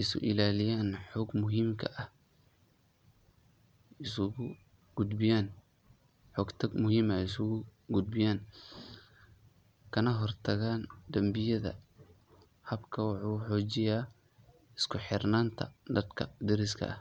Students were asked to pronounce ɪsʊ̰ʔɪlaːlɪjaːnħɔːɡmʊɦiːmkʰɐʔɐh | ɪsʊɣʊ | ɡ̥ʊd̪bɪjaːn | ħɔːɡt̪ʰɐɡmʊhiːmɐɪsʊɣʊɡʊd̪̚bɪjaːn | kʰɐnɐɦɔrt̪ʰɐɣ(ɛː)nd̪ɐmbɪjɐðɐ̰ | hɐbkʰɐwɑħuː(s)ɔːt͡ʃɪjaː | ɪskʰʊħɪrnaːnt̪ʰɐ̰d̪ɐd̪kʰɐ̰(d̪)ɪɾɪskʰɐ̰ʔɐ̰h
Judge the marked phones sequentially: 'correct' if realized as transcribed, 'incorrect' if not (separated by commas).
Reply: incorrect, incorrect, correct